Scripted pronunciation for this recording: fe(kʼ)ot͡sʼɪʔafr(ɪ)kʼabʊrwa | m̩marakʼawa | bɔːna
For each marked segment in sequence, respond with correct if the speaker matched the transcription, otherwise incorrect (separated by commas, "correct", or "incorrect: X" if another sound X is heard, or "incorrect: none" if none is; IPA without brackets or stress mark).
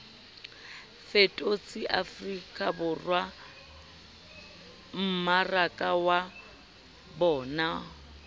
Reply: incorrect: tʼ, incorrect: i